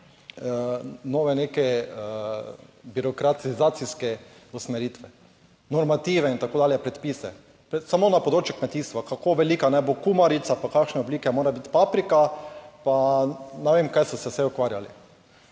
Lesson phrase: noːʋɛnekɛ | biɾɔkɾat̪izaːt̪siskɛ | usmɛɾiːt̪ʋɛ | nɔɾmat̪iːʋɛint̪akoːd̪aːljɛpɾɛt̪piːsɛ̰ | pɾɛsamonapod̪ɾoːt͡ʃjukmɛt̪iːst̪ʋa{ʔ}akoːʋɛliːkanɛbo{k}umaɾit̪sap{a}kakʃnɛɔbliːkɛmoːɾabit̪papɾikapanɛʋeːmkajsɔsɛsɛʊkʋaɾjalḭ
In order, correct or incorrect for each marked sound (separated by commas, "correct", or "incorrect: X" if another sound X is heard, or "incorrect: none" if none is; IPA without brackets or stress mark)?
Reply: incorrect: k, correct, correct